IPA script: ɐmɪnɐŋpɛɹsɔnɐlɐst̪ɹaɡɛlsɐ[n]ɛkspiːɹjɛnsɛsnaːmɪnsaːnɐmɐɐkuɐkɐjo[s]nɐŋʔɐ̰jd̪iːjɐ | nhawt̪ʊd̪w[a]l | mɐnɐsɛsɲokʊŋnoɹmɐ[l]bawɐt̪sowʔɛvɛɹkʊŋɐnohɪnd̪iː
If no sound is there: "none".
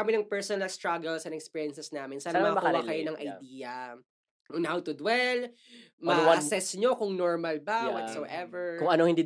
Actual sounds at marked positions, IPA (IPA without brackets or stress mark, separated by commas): n, none, ɛ, l